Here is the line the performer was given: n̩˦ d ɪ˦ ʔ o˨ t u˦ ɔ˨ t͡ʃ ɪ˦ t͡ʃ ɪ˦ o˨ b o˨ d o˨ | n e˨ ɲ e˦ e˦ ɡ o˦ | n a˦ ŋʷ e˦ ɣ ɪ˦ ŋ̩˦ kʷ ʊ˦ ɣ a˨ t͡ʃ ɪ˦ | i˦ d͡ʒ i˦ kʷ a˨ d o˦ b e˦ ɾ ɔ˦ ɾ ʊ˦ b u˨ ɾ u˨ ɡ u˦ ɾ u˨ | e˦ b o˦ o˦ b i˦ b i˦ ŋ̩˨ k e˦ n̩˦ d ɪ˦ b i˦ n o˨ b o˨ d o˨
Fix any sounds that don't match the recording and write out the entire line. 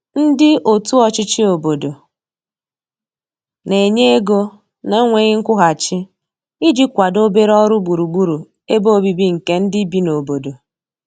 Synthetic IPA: n̩˦ d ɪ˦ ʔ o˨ t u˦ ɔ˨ t͡ʃ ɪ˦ t͡ʃ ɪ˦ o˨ b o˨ d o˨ | n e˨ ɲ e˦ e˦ ɡ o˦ | n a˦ ŋʷ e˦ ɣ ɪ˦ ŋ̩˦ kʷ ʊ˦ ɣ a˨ t͡ʃ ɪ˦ | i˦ d͡ʒ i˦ kʷ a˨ d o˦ b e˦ ɾ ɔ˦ ɾ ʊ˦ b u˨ ɾ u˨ ɡ͡b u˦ ɾ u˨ | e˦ b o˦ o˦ b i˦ b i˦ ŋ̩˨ k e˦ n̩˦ d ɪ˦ b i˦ n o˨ b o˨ d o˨